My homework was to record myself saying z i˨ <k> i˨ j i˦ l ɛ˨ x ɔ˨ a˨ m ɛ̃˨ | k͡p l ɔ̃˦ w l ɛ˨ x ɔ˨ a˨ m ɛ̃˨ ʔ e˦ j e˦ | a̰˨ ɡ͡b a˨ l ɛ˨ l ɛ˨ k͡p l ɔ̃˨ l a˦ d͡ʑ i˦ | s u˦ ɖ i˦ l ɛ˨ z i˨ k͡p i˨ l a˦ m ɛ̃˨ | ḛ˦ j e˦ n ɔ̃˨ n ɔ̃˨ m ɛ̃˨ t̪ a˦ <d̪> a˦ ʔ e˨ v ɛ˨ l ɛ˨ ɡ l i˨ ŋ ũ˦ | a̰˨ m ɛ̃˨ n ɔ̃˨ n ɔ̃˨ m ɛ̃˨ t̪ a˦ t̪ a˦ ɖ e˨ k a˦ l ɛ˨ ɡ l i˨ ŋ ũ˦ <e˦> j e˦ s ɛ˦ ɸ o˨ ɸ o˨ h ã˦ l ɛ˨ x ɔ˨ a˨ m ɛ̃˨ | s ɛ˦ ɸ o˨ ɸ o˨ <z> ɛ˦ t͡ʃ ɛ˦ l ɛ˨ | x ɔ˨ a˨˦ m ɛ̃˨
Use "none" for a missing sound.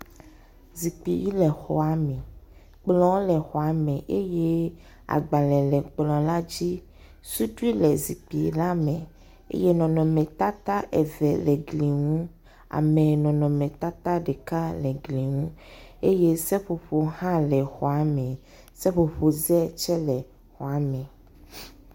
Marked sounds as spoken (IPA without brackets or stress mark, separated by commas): k͡p, t̪, e˦, z